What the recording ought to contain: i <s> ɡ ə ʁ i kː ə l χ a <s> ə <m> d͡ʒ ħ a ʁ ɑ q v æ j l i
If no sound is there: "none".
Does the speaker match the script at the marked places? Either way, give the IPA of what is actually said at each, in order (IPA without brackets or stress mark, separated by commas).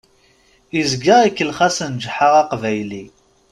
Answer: z, s, n